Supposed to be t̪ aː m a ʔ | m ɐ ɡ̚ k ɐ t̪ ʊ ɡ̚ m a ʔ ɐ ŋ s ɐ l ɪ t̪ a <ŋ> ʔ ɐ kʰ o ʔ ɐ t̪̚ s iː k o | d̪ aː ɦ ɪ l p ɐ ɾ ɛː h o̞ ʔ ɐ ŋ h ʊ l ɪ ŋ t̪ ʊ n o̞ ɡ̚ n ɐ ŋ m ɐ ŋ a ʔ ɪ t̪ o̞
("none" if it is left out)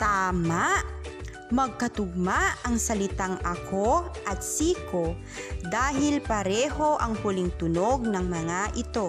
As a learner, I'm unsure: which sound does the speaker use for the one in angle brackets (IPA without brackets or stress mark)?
ŋ